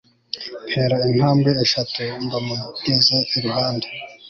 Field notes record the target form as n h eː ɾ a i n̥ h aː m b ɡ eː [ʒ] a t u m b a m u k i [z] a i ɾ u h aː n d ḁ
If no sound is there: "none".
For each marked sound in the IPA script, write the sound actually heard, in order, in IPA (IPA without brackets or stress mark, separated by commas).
ʃ, z